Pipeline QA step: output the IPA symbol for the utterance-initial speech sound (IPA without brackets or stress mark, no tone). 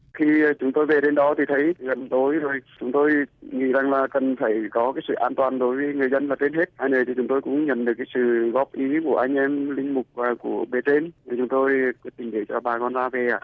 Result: x